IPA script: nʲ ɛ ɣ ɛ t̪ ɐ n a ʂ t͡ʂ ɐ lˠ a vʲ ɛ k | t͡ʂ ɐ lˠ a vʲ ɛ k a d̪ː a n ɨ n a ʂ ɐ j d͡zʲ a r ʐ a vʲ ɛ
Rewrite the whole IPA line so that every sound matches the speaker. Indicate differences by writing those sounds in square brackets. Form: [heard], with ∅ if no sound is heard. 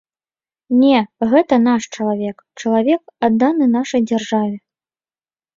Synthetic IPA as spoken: nʲ ɛ ɣ ɛ t̪ ɐ n a ʂ t͡ʂ ɐ lˠ a vʲ ɛ k | t͡ʂ ɐ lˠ a vʲ ɛ k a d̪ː a n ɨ n a ʂ ɐ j d͡zʲ a r ʐ a vʲ ɛ